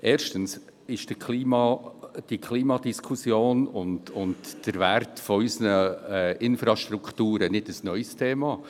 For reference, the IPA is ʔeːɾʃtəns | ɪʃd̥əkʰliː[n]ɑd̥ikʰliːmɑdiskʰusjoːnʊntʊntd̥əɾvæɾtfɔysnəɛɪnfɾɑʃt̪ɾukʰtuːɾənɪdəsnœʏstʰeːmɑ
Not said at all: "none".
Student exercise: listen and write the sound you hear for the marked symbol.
m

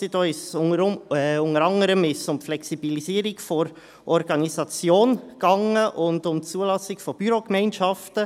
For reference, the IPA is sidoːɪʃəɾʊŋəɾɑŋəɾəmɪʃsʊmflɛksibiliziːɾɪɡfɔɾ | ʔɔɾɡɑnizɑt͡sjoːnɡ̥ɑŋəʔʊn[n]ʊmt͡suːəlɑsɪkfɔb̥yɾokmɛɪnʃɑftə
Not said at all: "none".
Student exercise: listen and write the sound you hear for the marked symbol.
d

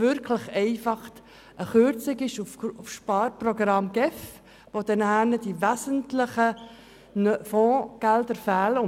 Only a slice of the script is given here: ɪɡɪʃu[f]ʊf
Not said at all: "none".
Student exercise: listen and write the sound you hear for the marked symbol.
f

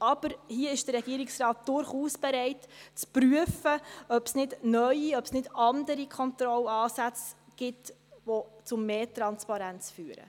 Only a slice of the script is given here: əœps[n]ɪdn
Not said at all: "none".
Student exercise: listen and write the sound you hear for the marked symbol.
n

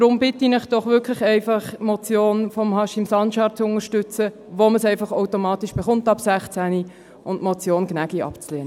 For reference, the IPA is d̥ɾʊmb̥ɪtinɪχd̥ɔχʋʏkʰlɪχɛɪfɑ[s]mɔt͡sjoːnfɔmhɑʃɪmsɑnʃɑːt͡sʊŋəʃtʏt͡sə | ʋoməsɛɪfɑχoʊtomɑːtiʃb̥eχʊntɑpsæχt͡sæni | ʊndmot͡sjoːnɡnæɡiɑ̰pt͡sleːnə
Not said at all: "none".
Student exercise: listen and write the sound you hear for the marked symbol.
χ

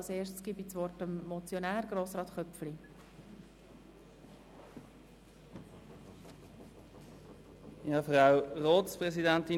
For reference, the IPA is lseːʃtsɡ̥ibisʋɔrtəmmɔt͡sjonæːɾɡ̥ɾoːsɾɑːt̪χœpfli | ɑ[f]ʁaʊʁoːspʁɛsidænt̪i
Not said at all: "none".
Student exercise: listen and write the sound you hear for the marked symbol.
f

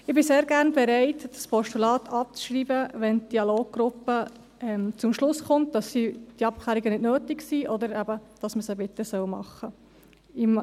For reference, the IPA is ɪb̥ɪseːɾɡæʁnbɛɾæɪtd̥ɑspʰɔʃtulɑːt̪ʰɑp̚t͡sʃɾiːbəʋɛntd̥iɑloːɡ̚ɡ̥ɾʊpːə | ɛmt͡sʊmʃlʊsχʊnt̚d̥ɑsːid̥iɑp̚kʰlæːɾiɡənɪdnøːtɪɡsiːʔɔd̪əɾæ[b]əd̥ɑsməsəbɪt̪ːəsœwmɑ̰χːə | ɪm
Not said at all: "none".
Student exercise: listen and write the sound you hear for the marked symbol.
b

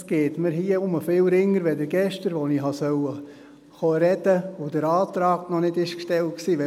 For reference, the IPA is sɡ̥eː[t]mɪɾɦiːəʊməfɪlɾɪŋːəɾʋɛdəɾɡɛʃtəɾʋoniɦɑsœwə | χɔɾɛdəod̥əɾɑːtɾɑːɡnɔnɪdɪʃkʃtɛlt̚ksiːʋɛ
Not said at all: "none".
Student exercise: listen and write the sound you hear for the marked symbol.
t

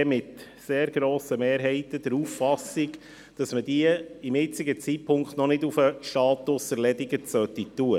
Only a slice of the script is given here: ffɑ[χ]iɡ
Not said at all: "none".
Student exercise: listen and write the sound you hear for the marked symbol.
s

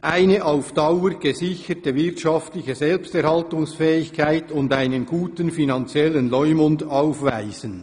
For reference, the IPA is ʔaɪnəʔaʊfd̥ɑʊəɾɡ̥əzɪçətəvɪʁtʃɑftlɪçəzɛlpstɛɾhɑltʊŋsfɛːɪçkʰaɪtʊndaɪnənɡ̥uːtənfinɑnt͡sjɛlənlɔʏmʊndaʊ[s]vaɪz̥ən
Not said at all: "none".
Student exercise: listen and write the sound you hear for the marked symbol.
f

